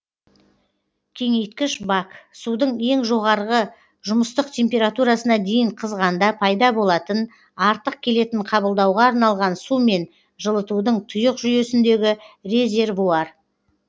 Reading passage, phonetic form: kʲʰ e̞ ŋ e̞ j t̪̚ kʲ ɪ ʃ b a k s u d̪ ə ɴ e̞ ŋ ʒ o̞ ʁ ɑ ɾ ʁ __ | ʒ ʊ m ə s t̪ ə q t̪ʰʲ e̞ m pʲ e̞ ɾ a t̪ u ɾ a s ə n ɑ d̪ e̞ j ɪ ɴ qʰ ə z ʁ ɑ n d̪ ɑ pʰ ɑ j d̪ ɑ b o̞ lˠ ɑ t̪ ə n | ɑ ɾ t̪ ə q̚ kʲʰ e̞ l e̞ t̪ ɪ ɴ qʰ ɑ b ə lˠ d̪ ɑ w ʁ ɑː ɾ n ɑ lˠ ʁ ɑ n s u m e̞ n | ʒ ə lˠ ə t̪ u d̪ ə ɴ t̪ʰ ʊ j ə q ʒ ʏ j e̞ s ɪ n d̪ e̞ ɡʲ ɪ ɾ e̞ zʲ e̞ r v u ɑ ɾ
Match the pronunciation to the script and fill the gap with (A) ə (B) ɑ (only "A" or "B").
A